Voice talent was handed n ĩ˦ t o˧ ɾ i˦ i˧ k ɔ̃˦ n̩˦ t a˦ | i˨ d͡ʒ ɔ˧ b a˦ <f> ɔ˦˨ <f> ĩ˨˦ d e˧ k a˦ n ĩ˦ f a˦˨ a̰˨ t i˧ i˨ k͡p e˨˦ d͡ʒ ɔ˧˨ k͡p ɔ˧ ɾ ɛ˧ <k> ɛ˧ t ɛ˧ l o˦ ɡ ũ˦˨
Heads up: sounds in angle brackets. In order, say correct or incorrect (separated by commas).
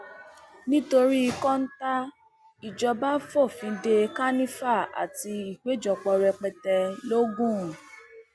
correct, correct, incorrect